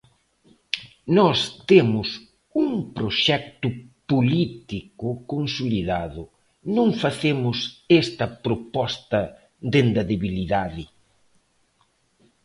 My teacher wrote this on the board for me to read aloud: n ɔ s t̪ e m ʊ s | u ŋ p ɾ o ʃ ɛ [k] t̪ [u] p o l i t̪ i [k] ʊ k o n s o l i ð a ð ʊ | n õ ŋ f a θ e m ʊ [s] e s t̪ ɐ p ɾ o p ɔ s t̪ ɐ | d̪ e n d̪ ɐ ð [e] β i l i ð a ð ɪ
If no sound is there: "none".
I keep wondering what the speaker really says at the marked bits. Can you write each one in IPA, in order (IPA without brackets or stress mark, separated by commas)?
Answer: k, ʊ, k, s, e